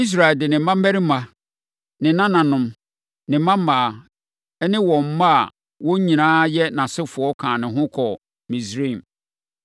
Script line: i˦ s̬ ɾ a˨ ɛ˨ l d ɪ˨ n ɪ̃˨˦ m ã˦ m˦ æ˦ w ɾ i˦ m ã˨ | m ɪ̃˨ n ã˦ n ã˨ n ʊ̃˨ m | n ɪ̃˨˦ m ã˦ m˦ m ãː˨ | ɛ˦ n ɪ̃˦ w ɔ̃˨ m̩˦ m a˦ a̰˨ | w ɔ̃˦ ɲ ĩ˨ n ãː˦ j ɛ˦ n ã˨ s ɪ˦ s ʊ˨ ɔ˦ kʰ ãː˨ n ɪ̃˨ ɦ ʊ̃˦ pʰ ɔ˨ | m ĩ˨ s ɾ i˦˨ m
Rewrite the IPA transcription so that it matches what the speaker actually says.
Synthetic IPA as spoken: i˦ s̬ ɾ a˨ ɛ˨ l d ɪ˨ n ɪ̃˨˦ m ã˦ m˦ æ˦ ɾ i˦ m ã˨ | n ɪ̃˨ n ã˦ n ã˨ n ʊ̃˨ m | n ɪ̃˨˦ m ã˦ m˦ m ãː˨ | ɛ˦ n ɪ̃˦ w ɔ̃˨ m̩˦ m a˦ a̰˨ | w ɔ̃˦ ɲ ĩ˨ n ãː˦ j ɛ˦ n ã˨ s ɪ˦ f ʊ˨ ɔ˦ kʰ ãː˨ n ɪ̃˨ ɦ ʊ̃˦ kʰ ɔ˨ | m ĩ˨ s ɾ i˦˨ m